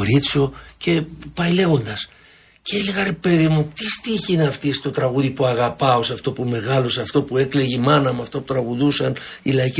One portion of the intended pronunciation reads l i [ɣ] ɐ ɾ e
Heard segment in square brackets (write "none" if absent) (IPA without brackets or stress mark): ɣ